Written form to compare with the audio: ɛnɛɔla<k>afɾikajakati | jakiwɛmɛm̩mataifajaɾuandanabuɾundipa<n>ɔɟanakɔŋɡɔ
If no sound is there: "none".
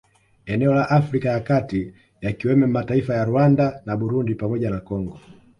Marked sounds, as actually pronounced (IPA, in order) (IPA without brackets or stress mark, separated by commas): ʔ, m